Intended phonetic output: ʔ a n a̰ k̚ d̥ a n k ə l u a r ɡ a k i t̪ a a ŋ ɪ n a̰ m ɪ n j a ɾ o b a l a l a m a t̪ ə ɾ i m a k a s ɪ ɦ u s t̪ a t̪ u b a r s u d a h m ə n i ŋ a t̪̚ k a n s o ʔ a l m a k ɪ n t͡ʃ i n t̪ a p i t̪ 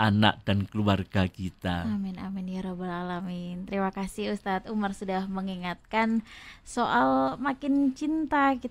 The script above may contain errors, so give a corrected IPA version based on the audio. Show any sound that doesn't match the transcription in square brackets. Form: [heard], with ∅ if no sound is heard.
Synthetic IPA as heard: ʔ a n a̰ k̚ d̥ a n k ə l u a r ɡ a k i t̪ a a [m] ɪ n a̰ m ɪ n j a ɾ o b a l a l a m [i] t̪ ə ɾ i m a k a s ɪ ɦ u s t̪ a t̪ u [m] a r s u d a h m ə [ŋ] i ŋ a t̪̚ k a n s o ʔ a l m a k ɪ n t͡ʃ i n t̪ a [k] i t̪